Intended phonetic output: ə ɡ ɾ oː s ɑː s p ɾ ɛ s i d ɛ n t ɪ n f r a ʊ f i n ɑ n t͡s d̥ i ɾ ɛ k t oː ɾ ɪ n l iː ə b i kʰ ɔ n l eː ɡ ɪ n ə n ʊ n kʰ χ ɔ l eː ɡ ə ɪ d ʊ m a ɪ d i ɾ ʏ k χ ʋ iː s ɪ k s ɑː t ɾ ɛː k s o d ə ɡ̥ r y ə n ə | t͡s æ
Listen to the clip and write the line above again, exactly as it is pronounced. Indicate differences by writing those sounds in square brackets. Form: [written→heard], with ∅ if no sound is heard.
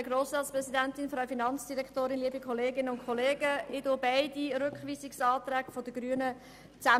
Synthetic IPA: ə ɡ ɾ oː s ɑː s p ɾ ɛ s i d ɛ n t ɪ n f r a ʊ f i n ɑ n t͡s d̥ i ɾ ɛ k t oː ɾ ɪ n l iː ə b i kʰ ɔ [n→∅] l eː ɡ ɪ n ə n ʊ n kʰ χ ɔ l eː ɡ ə ɪ d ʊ [m→b] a ɪ d i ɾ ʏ k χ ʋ iː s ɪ k s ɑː t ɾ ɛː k [s→f] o d ə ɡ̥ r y ə n ə | t͡s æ